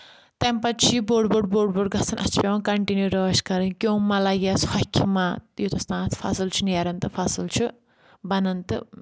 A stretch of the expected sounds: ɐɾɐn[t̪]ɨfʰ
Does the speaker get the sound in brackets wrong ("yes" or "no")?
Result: no